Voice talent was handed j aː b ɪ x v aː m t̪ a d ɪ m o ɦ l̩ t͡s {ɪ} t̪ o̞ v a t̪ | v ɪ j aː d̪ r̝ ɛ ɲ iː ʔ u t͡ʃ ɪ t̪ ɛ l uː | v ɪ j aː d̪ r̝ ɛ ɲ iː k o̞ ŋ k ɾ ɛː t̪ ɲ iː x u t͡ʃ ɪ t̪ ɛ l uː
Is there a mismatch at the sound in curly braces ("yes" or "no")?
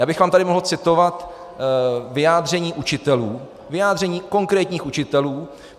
no